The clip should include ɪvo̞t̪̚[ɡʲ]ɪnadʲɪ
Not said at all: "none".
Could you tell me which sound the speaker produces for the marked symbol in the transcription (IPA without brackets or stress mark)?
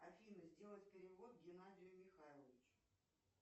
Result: ɡʲ